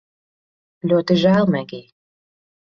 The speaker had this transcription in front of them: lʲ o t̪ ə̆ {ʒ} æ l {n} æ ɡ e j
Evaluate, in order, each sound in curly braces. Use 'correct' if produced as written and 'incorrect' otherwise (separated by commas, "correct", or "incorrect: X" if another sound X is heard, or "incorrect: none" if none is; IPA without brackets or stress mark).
correct, incorrect: m